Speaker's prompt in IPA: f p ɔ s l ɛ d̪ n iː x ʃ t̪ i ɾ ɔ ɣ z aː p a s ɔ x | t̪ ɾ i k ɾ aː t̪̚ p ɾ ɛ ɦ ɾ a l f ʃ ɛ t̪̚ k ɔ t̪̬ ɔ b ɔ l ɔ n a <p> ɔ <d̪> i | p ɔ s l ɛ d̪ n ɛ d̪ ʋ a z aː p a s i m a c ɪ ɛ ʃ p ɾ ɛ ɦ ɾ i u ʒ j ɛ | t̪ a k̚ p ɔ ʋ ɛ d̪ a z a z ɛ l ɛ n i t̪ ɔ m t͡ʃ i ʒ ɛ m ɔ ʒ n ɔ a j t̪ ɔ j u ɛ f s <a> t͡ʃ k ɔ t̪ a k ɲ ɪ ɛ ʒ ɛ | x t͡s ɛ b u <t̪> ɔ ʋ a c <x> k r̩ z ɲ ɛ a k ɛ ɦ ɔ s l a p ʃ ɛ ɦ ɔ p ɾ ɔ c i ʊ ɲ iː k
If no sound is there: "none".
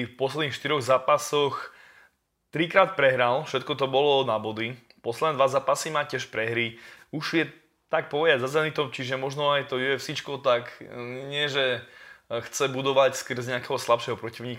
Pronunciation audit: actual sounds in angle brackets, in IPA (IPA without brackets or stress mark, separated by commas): b, d̪, i, d̪, s